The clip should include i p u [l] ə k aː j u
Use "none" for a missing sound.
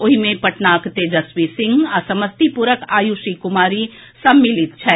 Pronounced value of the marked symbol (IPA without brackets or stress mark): ɾ